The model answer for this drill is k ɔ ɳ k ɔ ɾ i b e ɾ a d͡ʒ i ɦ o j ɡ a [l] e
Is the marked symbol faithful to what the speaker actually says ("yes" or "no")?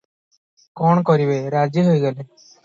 yes